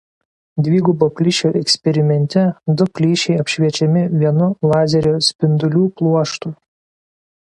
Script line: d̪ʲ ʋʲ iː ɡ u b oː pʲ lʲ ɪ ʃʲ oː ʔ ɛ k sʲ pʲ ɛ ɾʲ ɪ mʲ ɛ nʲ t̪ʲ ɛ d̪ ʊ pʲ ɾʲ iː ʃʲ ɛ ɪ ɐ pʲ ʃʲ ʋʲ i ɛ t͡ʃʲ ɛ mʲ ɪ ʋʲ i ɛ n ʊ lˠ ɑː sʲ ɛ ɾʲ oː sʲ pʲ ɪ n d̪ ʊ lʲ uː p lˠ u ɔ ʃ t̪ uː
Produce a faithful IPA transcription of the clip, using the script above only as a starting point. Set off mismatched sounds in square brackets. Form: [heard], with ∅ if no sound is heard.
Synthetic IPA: d̪ʲ ʋʲ iː ɡ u b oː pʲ lʲ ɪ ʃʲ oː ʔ ɛ k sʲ pʲ ɛ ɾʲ ɪ mʲ ɛ nʲ t̪ʲ ɛ d̪ ʊ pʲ [lʲ] iː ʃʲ ɛ ɪ ɐ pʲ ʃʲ ʋʲ i ɛ t͡ʃʲ ɛ mʲ ɪ ʋʲ i ɛ n ʊ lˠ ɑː [zʲ] ɛ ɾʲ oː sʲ pʲ ɪ n d̪ ʊ lʲ uː p lˠ u ɔ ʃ t̪ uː

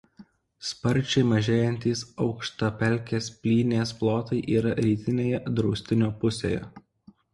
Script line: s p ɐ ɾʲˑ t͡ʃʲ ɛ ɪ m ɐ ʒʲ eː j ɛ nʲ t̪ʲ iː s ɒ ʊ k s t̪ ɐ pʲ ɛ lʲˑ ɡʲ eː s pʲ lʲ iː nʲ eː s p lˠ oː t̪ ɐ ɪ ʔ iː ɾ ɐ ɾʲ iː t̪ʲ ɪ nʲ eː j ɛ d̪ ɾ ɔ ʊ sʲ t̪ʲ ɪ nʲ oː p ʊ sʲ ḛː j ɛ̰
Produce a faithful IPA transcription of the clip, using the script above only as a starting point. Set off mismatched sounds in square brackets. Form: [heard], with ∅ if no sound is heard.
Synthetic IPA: s p ɐ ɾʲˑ t͡ʃʲ ɛ ɪ m ɐ ʒʲ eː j ɛ nʲ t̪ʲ iː s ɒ ʊ k [ʃ] t̪ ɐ pʲ ɛ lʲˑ [kʲ] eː s pʲ lʲ iː nʲ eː s p lˠ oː t̪ ɐ ɪ ʔ iː ɾ ɐ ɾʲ iː t̪ʲ ɪ nʲ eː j ɛ d̪ ɾ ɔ ʊ sʲ t̪ʲ ɪ nʲ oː p ʊ sʲ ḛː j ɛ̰

